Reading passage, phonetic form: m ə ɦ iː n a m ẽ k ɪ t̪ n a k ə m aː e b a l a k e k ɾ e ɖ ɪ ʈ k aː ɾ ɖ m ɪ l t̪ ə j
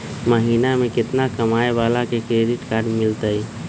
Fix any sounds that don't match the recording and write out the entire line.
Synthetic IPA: m ə ɦ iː n a m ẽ k ɪ t̪ n a k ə m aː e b a l a k e k ɾ e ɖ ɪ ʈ k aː ɾ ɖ m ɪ l t̪ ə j